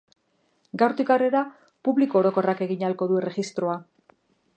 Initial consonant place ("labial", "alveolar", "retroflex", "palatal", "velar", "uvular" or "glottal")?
velar